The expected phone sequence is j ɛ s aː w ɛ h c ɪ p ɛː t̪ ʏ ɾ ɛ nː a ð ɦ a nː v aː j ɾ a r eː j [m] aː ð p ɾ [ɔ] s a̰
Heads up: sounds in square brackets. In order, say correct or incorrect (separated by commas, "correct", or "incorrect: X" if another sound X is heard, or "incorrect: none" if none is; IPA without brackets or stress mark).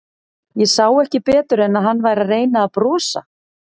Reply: incorrect: n, incorrect: ɔː